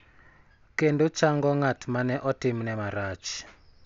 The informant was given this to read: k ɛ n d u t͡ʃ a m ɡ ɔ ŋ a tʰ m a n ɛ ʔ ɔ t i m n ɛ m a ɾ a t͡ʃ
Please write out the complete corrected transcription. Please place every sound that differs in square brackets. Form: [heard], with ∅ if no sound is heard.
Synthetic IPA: k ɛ n d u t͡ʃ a [ŋ] ɡ ɔ ŋ a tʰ m a n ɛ ʔ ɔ t i m n ɛ m a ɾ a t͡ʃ